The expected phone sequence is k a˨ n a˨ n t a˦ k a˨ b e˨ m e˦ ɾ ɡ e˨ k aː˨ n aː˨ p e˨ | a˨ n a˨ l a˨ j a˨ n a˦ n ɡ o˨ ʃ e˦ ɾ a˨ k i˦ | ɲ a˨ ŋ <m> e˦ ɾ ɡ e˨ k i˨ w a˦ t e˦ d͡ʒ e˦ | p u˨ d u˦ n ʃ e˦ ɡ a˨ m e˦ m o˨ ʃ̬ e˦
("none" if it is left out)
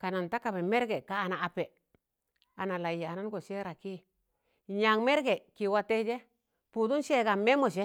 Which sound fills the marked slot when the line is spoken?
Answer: m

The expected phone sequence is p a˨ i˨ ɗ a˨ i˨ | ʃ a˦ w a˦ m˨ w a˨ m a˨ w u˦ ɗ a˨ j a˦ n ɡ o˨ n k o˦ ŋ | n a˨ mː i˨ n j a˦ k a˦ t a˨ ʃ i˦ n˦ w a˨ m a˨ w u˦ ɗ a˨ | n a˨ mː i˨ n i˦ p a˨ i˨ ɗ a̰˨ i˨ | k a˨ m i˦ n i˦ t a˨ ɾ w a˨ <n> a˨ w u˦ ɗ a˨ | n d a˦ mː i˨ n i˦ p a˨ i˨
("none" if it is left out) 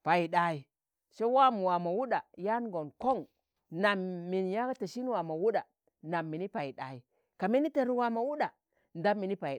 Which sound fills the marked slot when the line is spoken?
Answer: m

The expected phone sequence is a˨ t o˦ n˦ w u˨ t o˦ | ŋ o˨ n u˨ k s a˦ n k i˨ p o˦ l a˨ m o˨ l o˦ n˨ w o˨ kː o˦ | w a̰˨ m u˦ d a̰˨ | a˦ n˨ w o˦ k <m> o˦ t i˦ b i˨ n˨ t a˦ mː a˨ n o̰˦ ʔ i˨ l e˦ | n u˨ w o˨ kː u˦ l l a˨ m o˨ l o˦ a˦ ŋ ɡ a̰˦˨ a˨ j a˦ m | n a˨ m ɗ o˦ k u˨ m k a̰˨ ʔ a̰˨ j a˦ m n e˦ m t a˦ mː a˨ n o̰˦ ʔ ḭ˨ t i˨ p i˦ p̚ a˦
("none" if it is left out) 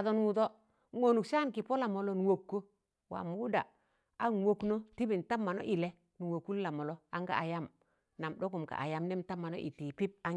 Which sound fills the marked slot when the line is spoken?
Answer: n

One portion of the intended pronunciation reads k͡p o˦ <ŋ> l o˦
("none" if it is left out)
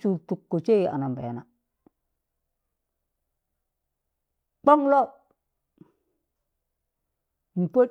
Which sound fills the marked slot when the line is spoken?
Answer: ŋ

